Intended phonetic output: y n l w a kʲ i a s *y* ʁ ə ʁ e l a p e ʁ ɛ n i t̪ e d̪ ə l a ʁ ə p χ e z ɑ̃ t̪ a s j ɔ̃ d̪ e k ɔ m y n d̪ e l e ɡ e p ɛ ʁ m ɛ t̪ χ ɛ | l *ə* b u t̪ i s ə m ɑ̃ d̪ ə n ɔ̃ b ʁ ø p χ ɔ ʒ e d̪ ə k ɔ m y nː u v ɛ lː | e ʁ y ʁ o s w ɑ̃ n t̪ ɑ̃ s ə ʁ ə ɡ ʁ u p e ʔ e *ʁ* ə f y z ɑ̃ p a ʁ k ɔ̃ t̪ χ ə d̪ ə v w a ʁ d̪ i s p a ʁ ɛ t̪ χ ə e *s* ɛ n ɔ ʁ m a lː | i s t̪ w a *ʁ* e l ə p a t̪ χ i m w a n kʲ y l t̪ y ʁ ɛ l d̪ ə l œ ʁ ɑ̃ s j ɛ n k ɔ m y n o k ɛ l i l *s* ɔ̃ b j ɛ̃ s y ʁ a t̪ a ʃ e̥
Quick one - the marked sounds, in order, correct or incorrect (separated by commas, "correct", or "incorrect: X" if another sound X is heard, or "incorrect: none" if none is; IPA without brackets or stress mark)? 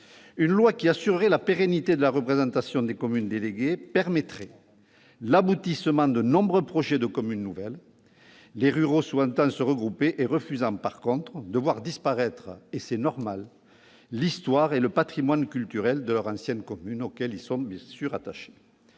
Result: correct, incorrect: a, correct, correct, correct, correct